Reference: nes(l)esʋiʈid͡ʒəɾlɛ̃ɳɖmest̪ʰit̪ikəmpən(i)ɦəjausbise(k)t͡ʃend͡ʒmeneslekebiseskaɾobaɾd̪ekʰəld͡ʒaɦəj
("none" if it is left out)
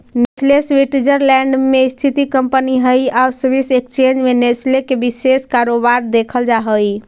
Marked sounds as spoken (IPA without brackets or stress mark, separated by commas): l, i, k